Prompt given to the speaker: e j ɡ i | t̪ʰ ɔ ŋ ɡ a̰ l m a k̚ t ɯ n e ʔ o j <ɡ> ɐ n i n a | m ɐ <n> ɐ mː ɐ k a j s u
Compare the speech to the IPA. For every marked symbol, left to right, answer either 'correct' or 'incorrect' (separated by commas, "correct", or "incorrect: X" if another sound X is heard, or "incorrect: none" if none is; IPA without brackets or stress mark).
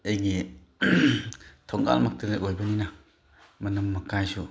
incorrect: b, correct